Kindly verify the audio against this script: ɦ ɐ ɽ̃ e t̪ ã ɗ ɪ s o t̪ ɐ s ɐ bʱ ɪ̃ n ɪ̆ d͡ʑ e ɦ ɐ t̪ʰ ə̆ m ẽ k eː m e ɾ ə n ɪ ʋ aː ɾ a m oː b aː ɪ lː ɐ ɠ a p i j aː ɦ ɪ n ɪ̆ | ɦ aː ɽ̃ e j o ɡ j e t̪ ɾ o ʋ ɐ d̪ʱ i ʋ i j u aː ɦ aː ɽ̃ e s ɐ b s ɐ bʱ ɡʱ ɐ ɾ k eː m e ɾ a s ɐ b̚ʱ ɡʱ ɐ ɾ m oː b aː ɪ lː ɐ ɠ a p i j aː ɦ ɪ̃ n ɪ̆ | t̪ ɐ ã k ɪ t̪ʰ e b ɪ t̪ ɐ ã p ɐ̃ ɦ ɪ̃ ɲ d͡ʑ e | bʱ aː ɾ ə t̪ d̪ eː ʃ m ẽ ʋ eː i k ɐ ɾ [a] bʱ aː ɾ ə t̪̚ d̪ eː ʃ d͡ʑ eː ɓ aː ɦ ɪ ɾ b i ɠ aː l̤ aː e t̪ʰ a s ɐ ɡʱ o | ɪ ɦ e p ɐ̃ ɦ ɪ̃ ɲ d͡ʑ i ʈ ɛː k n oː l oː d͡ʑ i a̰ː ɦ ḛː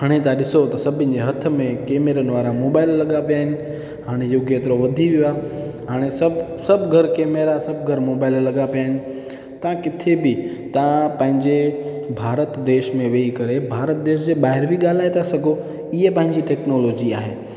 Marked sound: incorrect: e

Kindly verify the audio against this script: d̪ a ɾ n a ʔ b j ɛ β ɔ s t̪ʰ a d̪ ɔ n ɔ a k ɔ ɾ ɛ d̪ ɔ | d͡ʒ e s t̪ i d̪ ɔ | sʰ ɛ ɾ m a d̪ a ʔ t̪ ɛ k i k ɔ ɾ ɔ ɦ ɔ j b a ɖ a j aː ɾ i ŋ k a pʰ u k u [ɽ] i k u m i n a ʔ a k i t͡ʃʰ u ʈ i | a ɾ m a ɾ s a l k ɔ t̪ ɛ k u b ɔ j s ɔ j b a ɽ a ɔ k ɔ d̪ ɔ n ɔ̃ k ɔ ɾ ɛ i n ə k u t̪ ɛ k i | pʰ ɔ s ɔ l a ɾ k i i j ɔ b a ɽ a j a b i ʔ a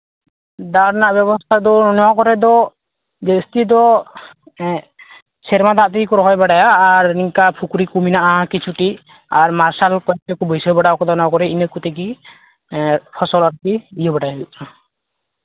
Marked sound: incorrect: ɾ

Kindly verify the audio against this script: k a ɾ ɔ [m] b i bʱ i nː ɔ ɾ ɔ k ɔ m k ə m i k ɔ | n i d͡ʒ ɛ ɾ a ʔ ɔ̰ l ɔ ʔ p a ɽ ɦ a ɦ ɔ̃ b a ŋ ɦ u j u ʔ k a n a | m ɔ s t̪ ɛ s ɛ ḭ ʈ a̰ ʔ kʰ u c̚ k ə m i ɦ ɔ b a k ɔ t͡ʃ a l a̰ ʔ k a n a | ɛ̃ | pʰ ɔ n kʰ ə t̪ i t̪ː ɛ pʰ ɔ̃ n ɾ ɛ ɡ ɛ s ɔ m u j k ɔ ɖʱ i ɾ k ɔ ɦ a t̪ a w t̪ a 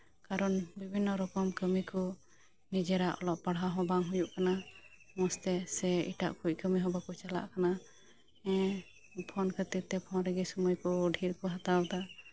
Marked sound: incorrect: n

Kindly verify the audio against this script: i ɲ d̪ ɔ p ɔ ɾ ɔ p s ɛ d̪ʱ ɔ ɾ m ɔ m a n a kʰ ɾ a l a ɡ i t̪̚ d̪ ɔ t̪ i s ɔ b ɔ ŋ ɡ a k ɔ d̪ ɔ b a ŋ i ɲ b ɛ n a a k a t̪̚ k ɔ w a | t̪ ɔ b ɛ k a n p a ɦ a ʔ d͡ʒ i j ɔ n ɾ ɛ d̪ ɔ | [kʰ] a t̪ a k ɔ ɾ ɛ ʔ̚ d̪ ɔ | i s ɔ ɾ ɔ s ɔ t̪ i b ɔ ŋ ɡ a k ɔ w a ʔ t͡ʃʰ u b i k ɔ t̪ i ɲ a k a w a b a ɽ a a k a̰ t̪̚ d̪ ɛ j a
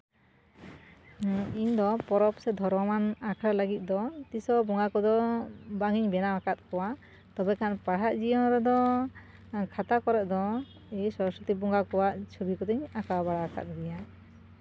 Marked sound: correct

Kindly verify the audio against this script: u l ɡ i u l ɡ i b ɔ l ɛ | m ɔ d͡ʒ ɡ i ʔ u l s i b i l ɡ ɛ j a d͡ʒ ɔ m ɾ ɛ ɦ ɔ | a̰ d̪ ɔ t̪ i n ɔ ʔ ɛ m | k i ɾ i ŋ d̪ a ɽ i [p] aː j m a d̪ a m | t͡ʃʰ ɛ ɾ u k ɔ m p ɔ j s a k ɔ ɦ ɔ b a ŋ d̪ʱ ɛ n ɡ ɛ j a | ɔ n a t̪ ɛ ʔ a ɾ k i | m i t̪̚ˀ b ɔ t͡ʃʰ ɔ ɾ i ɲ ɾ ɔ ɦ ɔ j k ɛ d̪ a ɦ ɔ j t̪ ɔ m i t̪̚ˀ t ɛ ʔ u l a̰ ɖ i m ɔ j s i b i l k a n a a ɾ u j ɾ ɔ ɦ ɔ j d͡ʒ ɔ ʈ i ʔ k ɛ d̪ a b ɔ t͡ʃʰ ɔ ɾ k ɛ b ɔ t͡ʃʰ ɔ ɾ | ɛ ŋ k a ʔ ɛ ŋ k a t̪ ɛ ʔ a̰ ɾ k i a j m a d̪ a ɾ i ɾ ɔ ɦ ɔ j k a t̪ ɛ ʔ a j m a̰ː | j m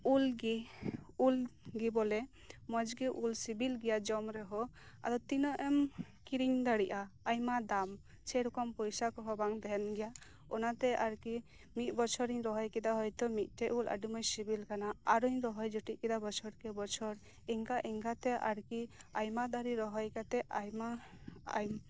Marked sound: incorrect: ʔ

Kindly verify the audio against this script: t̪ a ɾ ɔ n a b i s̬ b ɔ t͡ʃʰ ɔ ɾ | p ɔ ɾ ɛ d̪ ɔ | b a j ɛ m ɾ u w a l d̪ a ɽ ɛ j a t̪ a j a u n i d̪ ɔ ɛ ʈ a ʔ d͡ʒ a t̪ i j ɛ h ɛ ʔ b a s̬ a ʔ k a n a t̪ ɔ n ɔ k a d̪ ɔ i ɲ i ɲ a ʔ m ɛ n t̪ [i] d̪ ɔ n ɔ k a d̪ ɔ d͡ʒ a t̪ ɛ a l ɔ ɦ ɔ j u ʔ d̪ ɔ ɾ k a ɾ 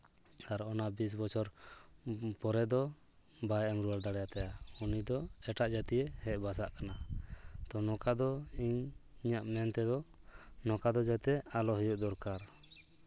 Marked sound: incorrect: ɛ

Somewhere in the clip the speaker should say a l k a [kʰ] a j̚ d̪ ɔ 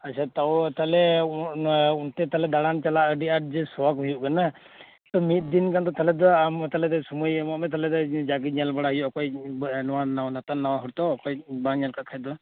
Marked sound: correct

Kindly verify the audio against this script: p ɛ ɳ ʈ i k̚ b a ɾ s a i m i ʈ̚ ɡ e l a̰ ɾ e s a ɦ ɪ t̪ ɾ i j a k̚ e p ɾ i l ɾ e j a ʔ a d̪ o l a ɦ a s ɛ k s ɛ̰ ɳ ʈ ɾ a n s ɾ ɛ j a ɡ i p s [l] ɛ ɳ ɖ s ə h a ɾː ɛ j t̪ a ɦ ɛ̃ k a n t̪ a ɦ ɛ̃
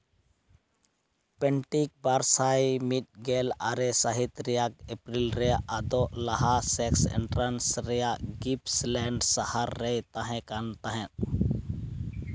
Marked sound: correct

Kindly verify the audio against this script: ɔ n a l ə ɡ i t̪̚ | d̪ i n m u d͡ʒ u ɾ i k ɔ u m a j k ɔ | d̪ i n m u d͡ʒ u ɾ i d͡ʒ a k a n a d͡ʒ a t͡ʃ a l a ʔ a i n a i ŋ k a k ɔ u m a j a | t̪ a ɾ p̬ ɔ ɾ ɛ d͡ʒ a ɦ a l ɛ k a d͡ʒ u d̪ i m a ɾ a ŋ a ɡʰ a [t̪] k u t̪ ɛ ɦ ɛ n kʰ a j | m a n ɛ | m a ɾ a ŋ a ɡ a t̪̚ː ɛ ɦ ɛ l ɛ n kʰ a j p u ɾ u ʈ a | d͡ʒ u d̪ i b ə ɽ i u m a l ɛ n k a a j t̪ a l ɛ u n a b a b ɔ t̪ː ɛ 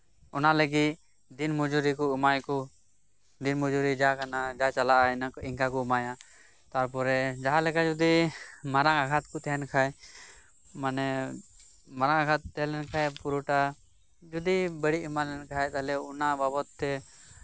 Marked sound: correct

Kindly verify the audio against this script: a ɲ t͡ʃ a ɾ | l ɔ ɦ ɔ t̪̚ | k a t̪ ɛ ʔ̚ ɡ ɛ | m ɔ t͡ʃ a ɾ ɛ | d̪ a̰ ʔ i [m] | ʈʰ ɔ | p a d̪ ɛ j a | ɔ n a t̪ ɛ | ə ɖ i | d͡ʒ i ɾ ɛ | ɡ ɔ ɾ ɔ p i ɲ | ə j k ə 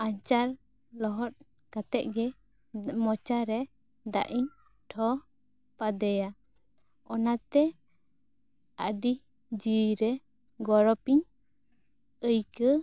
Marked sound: incorrect: ɲ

